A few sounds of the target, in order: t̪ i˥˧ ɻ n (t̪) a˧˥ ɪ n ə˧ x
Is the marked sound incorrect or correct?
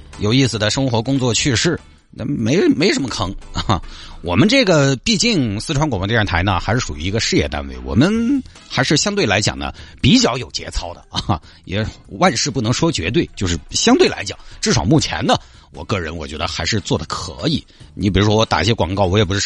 incorrect